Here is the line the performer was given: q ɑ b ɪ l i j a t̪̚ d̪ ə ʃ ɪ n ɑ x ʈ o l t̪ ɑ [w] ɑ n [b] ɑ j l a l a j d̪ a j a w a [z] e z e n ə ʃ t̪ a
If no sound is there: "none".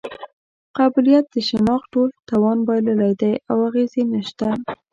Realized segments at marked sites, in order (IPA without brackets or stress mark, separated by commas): w, b, ɣ